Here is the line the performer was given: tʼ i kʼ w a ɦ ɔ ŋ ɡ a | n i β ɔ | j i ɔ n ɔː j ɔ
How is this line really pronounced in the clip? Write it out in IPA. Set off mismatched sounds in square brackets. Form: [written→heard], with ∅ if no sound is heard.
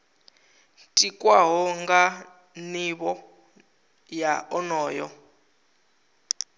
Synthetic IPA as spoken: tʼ i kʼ w a ɦ ɔ ŋ ɡ a | n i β ɔ | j [i→a] ɔ n ɔː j ɔ